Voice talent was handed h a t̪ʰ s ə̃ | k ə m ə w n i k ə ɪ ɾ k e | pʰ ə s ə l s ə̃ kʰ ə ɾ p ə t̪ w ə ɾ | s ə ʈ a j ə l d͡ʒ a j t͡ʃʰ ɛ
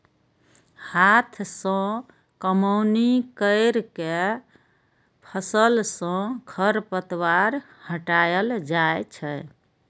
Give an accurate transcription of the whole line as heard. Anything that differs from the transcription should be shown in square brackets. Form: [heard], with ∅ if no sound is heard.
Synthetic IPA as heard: h a t̪ʰ s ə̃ | k ə m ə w n i k ə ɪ ɾ k e | pʰ ə s ə l s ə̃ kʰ ə ɾ p ə t̪ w [a] ɾ | [h] ə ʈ a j ə l d͡ʒ a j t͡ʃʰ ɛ

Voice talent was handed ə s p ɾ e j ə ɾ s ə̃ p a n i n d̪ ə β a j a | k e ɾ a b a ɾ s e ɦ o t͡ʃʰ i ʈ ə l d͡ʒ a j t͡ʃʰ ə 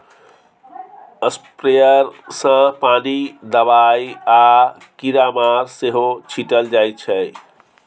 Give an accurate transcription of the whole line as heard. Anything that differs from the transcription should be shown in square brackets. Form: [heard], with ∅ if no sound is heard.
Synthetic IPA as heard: ə s p ɾ e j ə ɾ s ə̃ p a n i [∅] d̪ ə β a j a | k [i] ɾ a [m] a ɾ s e ɦ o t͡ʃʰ i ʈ ə l d͡ʒ a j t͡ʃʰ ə

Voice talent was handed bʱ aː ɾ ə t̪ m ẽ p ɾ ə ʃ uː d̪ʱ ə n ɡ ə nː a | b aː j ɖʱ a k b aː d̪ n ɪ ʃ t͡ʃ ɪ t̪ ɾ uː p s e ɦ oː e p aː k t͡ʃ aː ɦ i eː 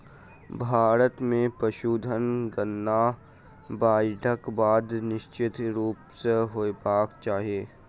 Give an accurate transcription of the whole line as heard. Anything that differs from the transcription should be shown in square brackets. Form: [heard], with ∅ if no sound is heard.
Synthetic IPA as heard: bʱ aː ɾ ə t̪ m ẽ p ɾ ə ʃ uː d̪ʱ ə n ɡ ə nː a | b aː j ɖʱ [ə] k b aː d̪ n ɪ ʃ t͡ʃ ɪ t̪ ɾ uː p s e ɦ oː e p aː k t͡ʃ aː ɦ i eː

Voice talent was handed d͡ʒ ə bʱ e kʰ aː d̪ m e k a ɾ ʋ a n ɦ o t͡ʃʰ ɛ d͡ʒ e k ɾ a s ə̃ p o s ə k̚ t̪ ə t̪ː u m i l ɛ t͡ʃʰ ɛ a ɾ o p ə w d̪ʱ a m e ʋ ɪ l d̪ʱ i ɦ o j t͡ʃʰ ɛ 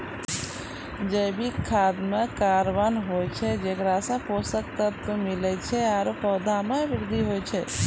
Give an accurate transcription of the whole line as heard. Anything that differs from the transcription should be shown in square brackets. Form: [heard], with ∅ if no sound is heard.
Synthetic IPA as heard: d͡ʒ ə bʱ [i] kʰ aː d̪ m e k a ɾ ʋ a n ɦ o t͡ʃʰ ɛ d͡ʒ e k ɾ a s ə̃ p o s ə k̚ t̪ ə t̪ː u m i l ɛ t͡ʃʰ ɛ a ɾ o p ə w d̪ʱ a m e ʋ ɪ [ɾ] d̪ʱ i ɦ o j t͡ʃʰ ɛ

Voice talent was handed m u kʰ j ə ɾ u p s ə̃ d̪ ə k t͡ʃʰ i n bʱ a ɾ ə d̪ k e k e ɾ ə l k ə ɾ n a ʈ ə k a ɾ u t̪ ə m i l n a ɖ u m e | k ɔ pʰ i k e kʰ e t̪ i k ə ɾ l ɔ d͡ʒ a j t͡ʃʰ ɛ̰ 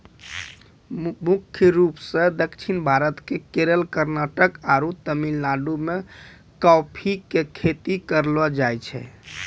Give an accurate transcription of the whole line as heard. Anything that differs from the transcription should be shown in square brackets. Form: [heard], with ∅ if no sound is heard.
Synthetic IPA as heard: m u kʰ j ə ɾ u p s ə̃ d̪ ə k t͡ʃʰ i n bʱ a ɾ ə [t̪] k e k e ɾ ə l k ə ɾ n a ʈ ə k a ɾ u t̪ ə m i l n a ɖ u m e | k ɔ pʰ i k e kʰ e t̪ i k ə ɾ l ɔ d͡ʒ a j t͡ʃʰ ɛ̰

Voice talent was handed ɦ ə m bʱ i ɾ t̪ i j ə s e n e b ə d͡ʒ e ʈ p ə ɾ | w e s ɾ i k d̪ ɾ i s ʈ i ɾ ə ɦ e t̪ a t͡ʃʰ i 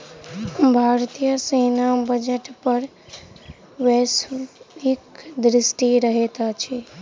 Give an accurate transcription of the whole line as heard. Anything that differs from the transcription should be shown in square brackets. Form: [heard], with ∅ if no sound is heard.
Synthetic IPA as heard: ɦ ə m bʱ [a] ɾ t̪ i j ə s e n [a] b ə d͡ʒ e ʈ p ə ɾ | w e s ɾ i k d̪ ɾ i s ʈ i ɾ ə ɦ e t̪ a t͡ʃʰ i

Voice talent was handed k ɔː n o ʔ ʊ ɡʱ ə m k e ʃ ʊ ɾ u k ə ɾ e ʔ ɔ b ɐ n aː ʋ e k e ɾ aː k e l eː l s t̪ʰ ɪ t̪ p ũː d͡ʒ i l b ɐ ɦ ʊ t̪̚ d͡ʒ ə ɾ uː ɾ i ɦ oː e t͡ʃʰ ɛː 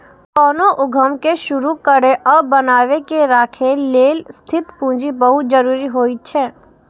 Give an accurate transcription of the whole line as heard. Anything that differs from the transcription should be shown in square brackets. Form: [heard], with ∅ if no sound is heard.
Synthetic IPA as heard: k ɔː n o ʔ ʊ ɡʱ ə m k e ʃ ʊ ɾ u k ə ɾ e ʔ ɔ b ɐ n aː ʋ e k e ɾ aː [kʰ] e l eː l s t̪ʰ ɪ t̪ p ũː d͡ʒ i [∅] b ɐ ɦ ʊ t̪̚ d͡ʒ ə ɾ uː ɾ i ɦ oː [i] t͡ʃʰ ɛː

